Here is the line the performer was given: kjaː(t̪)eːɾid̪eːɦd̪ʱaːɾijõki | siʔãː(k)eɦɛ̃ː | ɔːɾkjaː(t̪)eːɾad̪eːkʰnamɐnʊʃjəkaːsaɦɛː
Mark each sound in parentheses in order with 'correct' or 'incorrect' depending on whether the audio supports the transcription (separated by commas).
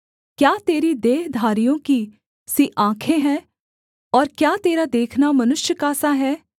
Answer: correct, incorrect, correct